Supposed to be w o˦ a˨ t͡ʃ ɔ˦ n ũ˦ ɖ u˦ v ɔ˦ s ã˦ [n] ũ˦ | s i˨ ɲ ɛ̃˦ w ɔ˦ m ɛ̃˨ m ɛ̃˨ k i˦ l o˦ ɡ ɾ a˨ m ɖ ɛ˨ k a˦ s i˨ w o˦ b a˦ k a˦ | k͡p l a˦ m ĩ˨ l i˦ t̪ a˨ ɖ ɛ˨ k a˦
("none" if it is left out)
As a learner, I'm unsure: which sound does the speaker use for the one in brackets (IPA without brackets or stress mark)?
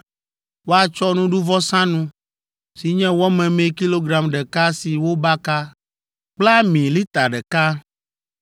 n